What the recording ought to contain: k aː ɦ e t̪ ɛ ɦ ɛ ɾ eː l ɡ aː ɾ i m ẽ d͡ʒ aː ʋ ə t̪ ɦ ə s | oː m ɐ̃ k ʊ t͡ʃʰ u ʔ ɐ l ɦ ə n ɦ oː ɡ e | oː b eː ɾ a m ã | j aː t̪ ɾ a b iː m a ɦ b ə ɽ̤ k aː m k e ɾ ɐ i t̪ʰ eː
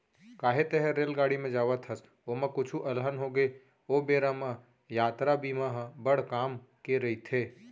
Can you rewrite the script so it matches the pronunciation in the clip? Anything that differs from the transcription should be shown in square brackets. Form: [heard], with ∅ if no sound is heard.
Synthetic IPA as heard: k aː ɦ e t̪ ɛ ɦ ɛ ɾ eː l ɡ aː [ɽ] i m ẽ d͡ʒ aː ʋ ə t̪ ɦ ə s | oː m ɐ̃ k ʊ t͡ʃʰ u ʔ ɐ l ɦ ə n ɦ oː ɡ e | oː b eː ɾ a m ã | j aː t̪ ɾ a b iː m a ɦ b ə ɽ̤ k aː m k e ɾ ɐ i t̪ʰ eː